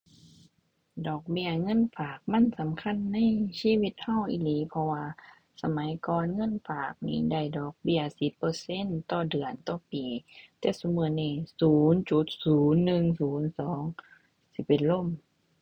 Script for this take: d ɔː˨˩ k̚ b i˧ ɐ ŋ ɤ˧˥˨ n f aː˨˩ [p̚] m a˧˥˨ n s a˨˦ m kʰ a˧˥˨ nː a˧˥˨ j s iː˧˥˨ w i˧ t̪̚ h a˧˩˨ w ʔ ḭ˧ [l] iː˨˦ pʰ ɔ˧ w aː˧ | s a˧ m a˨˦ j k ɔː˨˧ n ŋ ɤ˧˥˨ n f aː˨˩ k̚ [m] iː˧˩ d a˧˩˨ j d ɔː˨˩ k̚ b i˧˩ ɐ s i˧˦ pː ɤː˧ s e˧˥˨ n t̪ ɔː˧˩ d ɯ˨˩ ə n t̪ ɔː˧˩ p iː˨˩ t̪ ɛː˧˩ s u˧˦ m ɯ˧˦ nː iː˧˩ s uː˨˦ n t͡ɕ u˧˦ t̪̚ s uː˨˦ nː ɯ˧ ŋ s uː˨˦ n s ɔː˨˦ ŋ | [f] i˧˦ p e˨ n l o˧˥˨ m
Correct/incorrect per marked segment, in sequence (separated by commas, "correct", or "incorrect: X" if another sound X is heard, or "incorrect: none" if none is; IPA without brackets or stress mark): incorrect: k̚, correct, incorrect: n, incorrect: s